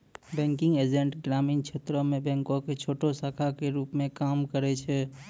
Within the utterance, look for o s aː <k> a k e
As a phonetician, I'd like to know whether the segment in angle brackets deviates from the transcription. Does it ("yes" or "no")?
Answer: yes